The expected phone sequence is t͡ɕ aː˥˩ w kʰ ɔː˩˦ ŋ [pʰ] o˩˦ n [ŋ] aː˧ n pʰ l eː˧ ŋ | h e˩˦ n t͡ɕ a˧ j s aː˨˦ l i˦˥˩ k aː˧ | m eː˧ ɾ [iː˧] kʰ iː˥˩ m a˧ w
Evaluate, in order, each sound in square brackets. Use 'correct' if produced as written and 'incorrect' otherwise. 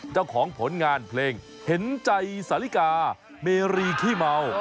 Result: correct, correct, correct

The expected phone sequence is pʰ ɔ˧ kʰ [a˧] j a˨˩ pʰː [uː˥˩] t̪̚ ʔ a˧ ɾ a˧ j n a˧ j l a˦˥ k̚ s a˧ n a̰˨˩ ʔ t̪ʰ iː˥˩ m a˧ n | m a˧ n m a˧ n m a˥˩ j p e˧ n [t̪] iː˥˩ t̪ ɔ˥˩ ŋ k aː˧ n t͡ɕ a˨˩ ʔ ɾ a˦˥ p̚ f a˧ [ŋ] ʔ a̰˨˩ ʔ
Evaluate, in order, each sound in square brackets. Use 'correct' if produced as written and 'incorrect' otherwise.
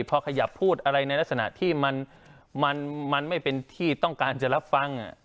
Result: correct, correct, incorrect: t̪ʰ, correct

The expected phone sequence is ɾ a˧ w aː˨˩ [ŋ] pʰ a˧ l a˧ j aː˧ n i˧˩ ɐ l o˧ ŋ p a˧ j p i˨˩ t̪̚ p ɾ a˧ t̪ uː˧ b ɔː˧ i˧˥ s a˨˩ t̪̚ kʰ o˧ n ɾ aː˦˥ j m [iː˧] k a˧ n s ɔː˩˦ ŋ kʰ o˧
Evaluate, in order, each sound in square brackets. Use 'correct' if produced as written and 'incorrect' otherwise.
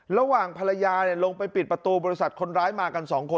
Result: correct, incorrect: aː˧

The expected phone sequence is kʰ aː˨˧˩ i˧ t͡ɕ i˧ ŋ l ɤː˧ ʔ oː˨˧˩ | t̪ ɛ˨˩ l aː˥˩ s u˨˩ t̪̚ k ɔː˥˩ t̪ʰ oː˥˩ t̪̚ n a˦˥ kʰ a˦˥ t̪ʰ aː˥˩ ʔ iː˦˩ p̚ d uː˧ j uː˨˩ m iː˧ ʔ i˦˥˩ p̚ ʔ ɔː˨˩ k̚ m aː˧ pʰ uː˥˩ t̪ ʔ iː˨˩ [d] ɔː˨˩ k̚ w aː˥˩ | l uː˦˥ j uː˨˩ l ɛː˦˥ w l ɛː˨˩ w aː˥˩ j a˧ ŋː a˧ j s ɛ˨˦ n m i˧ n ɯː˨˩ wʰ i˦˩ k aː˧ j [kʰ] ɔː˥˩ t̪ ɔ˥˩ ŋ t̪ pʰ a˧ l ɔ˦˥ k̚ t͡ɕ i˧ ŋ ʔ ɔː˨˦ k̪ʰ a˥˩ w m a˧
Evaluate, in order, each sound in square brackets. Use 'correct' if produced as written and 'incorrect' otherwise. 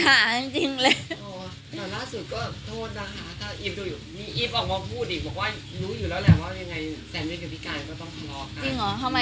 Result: incorrect: b, incorrect: k

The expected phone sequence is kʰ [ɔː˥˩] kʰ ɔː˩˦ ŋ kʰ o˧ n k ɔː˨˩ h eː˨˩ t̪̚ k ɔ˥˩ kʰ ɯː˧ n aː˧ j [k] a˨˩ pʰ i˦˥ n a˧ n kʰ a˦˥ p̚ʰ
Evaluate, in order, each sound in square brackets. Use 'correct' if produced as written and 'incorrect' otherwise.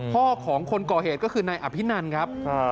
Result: correct, incorrect: ʔ

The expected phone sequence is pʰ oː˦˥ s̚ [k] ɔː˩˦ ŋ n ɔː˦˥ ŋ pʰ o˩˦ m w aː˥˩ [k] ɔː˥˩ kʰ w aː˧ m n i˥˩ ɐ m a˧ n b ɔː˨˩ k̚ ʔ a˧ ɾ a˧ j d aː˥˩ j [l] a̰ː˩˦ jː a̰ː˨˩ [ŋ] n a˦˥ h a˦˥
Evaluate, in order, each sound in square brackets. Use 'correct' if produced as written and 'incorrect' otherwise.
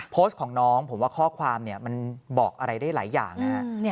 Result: incorrect: kʰ, incorrect: kʰ, correct, correct

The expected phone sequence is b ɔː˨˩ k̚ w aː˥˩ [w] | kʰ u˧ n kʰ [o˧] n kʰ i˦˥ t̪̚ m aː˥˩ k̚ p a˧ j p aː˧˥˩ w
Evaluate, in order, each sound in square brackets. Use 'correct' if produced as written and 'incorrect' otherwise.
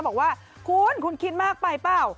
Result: incorrect: none, incorrect: u˧

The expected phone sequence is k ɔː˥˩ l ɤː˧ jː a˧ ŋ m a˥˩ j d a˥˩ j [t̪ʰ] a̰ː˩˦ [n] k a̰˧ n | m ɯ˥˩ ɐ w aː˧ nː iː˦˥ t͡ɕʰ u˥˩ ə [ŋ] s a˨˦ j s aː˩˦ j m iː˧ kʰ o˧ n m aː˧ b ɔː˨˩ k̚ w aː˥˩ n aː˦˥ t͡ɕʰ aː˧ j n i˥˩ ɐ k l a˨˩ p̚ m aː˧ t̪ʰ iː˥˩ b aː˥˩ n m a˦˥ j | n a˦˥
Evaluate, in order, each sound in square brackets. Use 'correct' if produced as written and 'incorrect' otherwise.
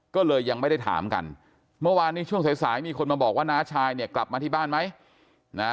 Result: correct, incorrect: m, correct

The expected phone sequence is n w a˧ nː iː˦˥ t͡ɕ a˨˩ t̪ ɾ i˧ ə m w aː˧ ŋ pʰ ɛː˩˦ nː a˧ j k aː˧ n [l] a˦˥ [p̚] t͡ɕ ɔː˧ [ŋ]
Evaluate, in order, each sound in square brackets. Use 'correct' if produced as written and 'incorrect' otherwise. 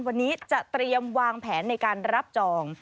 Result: incorrect: ɾ, correct, correct

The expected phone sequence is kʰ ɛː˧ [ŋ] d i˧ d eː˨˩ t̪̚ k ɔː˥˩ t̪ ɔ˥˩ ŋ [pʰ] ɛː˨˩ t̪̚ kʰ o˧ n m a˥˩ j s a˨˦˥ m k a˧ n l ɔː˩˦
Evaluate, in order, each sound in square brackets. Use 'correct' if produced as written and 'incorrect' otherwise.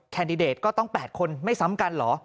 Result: incorrect: n, incorrect: p

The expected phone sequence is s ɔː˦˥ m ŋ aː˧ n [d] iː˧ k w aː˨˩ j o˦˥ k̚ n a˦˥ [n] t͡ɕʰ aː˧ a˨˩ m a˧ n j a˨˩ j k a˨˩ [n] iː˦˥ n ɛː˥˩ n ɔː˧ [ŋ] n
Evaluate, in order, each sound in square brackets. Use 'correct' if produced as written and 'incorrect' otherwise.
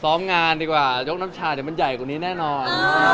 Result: correct, incorrect: m, correct, incorrect: none

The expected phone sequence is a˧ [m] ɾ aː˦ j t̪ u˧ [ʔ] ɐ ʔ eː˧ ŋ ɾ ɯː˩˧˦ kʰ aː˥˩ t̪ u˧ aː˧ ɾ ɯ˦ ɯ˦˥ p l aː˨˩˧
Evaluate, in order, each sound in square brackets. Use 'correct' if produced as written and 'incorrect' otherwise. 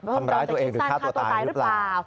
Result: correct, incorrect: none

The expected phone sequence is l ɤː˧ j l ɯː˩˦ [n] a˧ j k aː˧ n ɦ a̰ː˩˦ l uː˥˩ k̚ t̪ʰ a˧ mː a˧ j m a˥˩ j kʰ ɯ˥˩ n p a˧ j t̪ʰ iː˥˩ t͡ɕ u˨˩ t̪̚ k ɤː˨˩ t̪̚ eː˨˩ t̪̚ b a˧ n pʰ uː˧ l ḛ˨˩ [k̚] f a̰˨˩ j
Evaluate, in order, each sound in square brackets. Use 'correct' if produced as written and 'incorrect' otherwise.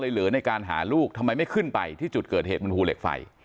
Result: correct, correct

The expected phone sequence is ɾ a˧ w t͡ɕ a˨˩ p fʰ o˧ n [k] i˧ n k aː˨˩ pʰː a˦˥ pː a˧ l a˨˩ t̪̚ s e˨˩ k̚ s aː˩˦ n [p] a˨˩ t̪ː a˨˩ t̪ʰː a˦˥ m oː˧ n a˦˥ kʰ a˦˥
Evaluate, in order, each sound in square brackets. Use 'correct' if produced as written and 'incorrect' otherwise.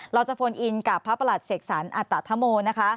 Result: incorrect: ʔ, incorrect: ʔ

